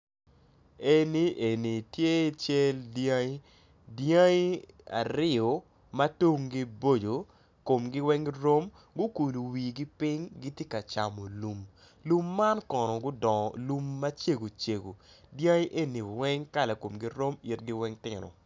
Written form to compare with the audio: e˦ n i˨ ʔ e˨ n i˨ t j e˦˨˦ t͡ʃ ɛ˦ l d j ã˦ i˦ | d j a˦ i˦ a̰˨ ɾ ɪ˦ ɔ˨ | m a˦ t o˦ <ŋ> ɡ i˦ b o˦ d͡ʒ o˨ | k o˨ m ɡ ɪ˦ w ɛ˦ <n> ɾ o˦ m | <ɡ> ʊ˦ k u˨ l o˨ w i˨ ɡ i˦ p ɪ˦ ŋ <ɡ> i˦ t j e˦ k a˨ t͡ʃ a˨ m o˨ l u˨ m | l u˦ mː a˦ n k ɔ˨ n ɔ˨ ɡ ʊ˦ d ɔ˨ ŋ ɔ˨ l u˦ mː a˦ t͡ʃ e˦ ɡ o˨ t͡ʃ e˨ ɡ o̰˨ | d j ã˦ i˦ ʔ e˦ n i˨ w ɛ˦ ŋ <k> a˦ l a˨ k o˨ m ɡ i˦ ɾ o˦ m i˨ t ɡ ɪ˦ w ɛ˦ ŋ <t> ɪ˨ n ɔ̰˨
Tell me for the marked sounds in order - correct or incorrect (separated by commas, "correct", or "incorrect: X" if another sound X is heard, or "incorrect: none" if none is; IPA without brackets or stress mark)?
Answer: correct, incorrect: ŋ, correct, correct, correct, correct